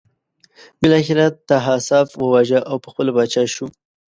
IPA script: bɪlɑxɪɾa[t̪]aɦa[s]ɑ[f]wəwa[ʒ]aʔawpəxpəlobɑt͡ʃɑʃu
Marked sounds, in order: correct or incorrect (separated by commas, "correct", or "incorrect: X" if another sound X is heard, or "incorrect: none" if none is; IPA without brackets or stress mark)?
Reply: correct, correct, correct, correct